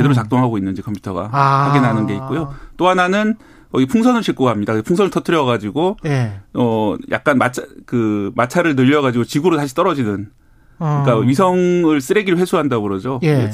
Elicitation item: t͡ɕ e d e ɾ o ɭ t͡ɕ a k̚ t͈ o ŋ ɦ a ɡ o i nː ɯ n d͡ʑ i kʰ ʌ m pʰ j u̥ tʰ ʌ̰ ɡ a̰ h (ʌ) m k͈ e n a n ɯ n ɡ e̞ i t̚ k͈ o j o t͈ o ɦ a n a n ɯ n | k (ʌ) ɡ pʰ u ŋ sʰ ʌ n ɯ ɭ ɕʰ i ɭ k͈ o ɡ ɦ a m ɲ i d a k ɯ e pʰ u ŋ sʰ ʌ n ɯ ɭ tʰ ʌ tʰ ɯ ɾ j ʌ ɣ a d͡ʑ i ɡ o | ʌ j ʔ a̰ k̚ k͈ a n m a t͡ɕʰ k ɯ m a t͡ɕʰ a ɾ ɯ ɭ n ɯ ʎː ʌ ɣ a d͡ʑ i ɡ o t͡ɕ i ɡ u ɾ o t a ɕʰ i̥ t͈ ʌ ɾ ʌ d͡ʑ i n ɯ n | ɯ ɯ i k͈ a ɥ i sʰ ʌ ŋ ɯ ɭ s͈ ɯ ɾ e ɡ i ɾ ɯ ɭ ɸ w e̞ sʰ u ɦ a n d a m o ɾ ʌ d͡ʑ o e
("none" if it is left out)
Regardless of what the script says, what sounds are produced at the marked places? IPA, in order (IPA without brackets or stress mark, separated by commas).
a, ʌ